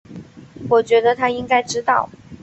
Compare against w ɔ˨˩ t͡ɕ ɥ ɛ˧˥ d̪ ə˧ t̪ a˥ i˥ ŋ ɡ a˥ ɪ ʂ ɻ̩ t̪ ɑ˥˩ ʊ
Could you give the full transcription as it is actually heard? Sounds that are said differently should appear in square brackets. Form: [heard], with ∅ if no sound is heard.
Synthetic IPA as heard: w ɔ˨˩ t͡ɕ ɥ ɛ˧˥ d̪ ə˧ [t̪ʰ] a˥ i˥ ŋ [k] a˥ ɪ [ʈ͡ʂ] ɻ̩ t̪ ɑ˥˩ ʊ